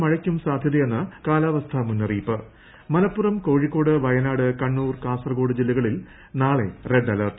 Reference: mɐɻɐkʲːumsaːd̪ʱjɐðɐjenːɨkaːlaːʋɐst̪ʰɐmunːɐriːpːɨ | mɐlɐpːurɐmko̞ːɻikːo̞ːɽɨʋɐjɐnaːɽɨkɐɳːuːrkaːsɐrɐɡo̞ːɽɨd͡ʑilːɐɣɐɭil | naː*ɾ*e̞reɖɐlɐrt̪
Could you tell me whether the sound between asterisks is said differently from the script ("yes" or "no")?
yes